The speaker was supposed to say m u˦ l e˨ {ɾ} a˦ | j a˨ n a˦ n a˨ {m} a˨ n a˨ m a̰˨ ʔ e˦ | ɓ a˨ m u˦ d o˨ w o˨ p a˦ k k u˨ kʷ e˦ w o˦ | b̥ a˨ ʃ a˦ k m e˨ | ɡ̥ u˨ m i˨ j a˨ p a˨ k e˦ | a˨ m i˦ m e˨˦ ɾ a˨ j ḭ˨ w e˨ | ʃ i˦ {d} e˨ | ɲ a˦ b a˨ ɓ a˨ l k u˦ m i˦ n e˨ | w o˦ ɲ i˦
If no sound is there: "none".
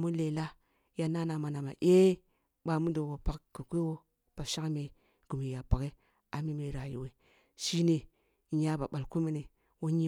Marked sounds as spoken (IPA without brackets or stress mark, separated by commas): l, m, n